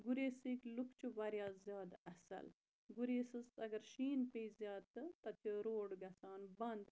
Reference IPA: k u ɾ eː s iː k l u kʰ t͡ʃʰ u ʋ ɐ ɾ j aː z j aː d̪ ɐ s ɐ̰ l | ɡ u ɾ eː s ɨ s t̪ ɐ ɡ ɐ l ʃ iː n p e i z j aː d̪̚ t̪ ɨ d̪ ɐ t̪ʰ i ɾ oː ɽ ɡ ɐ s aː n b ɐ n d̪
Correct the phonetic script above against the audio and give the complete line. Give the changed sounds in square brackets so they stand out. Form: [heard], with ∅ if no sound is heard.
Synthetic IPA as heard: [ɡ] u ɾ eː s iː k l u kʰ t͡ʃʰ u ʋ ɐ ɾ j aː z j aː d̪ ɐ s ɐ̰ l | ɡ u ɾ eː s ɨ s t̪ ɐ ɡ ɐ [ɾ] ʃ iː n p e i z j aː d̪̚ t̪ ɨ [t̪] ɐ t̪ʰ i ɾ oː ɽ ɡ ɐ s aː n b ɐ n d̪